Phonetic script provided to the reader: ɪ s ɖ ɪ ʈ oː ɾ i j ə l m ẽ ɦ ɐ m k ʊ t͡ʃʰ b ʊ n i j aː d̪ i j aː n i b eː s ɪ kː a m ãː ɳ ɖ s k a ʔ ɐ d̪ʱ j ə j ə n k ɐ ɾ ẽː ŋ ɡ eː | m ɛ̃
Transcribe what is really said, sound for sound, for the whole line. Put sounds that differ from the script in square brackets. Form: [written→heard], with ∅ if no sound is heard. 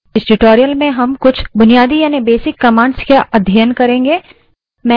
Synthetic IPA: ɪ s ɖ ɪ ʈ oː ɾ i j ə l m ẽ ɦ ɐ m k ʊ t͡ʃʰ b ʊ n i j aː d̪ i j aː n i b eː s ɪ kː [a→ɐ] m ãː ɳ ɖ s k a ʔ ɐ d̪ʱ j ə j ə n k ɐ ɾ ẽː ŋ ɡ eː | m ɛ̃